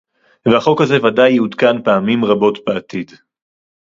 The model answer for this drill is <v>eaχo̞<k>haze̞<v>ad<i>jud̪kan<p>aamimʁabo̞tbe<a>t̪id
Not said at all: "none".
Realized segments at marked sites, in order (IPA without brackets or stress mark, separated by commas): v, k, v, a, p, a